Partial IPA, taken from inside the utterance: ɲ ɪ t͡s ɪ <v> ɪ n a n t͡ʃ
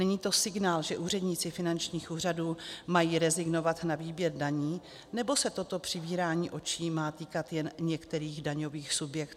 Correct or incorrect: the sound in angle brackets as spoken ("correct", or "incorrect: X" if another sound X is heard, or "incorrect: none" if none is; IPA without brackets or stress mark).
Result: incorrect: f